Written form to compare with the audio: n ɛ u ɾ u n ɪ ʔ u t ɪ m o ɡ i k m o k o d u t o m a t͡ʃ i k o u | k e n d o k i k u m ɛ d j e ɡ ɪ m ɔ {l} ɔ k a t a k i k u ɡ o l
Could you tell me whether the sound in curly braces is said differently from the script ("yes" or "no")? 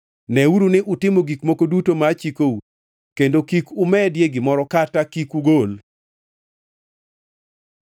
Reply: yes